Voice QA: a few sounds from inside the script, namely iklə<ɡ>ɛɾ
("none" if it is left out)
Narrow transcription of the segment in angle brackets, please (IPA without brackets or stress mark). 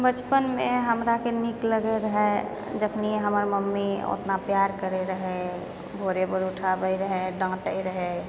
ɡ